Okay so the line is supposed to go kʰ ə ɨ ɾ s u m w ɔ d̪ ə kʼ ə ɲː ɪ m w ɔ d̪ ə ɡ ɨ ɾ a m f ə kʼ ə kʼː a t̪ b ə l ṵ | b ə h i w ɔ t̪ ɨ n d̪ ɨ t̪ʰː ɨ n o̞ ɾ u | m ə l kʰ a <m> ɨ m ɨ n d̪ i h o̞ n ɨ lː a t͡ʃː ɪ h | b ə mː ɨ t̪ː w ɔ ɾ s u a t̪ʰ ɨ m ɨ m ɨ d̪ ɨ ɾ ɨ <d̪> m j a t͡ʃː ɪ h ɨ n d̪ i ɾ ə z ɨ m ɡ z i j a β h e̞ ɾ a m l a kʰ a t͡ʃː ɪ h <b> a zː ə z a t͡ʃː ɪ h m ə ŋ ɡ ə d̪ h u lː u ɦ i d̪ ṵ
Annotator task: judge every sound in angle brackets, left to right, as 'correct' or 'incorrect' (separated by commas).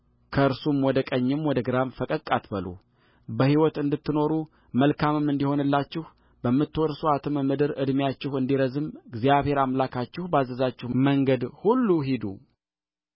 correct, correct, correct